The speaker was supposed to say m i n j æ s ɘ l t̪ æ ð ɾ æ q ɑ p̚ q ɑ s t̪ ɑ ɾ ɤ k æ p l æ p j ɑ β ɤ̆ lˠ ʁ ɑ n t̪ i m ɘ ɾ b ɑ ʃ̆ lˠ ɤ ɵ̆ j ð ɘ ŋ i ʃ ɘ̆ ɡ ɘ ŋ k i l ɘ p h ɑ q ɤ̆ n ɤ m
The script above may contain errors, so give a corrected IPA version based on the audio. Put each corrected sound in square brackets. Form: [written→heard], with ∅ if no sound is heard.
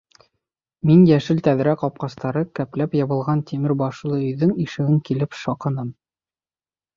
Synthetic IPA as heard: m i n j æ [s→ʃ] ɘ l t̪ æ ð ɾ æ q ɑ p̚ q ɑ s t̪ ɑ ɾ ɤ k æ p l æ p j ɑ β ɤ̆ lˠ ʁ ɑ n t̪ i m ɘ ɾ b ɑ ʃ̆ lˠ ɤ ɵ̆ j ð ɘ ŋ i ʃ ɘ̆ ɡ ɘ ŋ k i l ɘ p [h→ʃ] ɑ q ɤ̆ n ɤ m